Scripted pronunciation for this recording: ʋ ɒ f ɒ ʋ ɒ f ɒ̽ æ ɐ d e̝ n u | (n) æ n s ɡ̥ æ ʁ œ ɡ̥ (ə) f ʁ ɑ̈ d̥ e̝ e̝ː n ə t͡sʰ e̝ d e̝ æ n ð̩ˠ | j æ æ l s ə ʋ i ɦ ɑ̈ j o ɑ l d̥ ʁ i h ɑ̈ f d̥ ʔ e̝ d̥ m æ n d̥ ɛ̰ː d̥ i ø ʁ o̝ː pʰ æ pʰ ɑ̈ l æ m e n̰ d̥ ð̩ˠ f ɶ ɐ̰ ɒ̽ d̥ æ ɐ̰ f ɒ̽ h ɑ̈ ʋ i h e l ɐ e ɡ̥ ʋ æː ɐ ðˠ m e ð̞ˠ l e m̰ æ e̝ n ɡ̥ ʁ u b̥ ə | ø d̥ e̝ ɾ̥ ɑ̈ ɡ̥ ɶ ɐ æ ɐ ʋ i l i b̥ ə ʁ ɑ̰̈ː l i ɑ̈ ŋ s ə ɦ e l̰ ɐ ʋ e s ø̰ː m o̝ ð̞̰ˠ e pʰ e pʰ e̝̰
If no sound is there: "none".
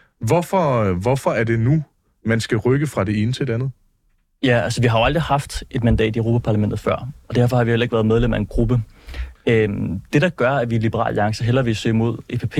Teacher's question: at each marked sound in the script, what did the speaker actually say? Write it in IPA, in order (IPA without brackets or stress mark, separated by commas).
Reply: m, ə